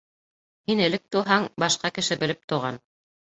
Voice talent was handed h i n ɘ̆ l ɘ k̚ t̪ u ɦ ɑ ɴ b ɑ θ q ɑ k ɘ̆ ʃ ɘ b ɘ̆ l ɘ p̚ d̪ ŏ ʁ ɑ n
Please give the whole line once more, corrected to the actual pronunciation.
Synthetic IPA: h i n ɘ̆ l ɘ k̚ t̪ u ɦ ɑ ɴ b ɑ ʃ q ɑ k ɘ̆ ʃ ɘ b ɘ̆ l ɘ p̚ t̪ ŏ ʁ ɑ n